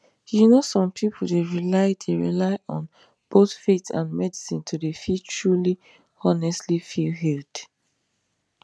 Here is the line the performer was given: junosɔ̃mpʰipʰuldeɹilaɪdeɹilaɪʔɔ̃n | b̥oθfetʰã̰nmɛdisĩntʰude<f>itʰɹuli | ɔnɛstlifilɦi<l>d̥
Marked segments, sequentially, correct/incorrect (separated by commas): correct, correct